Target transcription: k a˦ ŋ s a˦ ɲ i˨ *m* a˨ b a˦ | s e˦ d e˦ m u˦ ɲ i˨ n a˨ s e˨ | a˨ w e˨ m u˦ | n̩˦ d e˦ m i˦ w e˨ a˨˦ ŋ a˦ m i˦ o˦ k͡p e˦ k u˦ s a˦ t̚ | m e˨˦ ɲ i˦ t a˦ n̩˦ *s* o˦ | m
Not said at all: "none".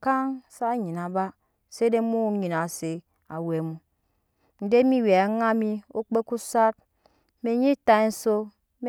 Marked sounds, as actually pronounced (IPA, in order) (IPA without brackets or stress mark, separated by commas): n, s